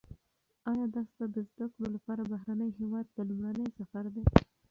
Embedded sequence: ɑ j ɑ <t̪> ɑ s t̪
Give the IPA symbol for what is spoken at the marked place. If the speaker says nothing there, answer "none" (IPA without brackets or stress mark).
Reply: d̪